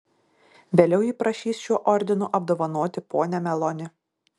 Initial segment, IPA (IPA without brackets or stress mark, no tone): ʋʲ